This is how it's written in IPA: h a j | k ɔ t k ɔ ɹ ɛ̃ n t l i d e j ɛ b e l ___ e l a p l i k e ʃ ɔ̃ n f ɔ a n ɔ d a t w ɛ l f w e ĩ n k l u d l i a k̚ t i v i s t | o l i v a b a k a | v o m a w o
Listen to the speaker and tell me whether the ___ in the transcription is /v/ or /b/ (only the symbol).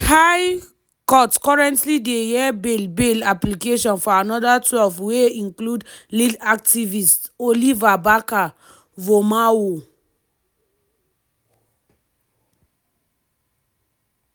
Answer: b